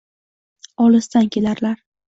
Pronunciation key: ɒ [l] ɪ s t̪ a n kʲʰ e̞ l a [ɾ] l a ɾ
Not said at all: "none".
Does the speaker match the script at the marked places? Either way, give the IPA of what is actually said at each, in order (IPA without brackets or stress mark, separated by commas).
l, ɾ